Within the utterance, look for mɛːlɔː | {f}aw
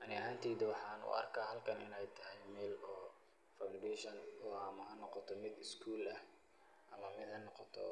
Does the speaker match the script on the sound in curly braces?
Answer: yes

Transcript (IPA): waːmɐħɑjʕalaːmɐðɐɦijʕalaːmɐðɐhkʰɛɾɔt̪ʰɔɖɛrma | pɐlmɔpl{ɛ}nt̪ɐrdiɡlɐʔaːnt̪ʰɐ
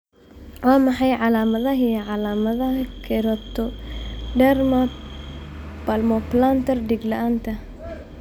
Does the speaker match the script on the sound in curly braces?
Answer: no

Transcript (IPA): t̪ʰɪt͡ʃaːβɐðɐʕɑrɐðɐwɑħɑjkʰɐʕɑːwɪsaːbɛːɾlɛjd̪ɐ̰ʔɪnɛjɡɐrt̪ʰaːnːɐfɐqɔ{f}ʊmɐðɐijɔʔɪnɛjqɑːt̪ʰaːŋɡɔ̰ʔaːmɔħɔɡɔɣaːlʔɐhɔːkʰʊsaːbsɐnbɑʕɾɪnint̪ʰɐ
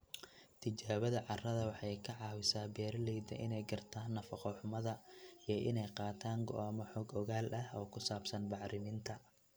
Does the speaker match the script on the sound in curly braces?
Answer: no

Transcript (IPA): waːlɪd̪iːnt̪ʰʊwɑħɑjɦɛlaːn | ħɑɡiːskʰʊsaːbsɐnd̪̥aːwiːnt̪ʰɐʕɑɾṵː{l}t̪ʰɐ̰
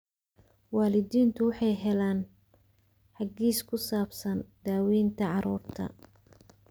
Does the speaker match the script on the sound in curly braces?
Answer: no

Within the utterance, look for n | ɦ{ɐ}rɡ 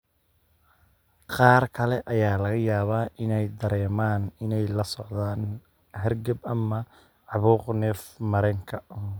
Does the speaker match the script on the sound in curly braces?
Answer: yes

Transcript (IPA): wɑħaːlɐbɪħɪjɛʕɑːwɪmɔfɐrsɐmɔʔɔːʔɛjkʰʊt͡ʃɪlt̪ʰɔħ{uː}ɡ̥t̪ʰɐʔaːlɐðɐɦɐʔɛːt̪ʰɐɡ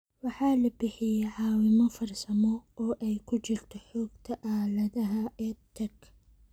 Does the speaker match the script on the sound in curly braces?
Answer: no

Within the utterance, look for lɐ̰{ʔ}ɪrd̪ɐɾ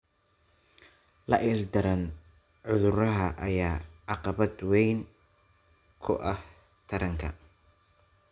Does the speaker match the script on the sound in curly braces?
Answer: yes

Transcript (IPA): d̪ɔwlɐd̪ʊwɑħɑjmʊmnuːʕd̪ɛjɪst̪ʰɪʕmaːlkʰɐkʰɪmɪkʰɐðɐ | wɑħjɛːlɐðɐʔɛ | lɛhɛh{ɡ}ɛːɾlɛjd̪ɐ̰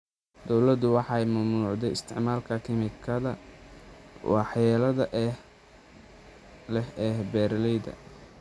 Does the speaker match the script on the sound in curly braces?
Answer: no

